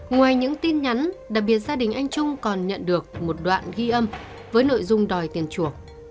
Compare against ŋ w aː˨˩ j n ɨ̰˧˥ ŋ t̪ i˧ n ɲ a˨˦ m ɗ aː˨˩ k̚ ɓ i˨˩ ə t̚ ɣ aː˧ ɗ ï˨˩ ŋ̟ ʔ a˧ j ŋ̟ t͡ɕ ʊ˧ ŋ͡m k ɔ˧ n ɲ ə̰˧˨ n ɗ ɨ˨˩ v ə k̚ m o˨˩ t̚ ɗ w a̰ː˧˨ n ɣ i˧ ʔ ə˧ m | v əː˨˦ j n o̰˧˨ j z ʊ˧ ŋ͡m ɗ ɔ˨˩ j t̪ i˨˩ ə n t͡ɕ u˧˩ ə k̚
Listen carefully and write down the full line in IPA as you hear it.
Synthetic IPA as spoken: ŋ w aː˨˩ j ɲ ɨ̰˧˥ ŋ t̪ i˧ n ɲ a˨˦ n ɗ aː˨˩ k̚ ɓ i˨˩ ə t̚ z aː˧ ɗ ï˨˩ ŋ̟ ʔ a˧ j ŋ̟ t͡ɕ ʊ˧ ŋ͡m k ɔ˨˩ n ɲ ə̰˧˨ n ɗ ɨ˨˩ ə k̚ m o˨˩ t̚ ɗ w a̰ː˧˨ n ɣ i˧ ʔ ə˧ m | v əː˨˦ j n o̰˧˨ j z ʊ˧ ŋ͡m ɗ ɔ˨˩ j t̪ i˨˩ ə n t͡ɕ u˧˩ ə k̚